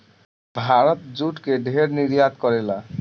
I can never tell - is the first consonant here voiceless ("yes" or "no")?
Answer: no